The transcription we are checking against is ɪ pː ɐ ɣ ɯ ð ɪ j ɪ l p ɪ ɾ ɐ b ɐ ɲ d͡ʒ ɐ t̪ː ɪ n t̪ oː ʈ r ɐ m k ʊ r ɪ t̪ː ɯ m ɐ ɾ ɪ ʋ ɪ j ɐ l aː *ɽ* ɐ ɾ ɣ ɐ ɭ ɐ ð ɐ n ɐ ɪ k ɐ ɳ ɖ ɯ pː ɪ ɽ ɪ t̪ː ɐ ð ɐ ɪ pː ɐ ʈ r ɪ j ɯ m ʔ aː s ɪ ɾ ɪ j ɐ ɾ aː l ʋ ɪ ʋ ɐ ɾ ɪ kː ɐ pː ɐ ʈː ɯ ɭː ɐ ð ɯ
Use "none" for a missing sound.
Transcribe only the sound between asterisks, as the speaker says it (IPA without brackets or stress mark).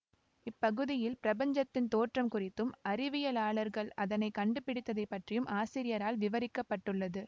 ɭ